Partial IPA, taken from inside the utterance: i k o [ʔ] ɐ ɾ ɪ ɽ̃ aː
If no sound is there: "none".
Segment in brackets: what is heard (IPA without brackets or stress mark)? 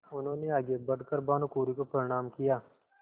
p